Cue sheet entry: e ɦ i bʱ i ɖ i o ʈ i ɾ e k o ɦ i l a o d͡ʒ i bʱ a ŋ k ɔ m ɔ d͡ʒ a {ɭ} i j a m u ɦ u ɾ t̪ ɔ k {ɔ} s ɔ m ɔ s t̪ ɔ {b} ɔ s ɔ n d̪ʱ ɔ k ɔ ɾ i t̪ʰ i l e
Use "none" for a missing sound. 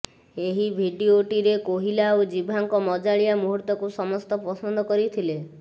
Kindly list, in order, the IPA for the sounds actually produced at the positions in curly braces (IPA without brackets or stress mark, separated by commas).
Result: ɭ, u, p